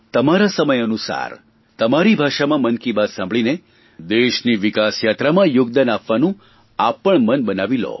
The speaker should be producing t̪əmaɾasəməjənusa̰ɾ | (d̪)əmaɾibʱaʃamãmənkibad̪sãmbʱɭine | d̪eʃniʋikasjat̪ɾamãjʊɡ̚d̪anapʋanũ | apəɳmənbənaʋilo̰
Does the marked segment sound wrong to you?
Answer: yes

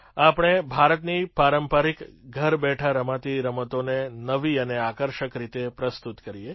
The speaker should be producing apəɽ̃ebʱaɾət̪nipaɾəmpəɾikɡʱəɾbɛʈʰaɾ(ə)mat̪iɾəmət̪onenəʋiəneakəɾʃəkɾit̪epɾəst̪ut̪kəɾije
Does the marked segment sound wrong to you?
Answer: no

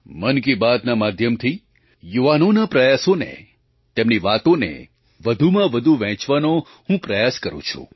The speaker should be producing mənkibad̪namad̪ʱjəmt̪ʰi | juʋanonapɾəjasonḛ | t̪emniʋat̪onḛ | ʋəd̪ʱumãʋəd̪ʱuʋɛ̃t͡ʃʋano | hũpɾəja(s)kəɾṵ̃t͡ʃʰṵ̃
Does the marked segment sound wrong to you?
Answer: no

